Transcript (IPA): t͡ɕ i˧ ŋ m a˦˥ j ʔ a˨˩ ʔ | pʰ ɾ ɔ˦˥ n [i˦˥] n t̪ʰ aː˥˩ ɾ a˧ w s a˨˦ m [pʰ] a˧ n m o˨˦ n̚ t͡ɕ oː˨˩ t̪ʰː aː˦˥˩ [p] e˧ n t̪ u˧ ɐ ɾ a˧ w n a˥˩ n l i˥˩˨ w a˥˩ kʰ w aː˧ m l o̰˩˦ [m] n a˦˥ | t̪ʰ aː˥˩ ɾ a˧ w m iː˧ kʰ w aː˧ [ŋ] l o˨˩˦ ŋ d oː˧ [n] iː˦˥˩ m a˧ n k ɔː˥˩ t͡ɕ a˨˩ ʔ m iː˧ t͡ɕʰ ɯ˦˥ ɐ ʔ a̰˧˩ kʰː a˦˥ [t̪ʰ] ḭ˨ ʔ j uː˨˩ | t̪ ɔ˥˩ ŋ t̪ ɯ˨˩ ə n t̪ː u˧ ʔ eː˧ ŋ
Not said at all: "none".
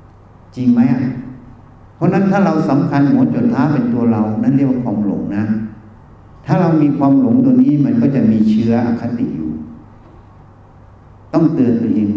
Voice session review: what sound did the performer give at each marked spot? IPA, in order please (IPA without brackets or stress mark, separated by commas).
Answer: a˦˥, kʰ, p, ŋ, m, n, t̪